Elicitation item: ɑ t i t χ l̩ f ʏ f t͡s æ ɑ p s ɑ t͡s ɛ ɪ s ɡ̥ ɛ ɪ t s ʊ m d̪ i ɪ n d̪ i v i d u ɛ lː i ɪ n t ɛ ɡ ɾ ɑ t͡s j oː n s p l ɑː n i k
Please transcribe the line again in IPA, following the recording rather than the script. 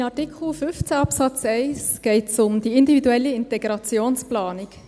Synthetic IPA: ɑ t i k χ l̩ f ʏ f t͡s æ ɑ p s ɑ t͡s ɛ ɪ s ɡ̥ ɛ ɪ t s ʊ m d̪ i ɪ n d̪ i v i d u ɛ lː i ɪ n t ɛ ɡ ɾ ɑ t͡s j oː n s p l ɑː n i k